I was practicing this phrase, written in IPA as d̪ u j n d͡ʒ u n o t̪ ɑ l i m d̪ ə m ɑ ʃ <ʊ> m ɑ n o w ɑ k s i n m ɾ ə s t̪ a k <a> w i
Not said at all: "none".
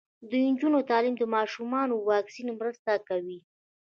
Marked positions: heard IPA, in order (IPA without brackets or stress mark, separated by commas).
u, a